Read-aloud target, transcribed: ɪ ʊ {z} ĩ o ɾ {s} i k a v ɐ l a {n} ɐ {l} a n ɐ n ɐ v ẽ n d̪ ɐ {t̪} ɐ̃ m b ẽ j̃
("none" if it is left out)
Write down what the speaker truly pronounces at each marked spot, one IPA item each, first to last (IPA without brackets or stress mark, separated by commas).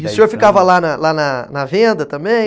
s, f, n, l, t̪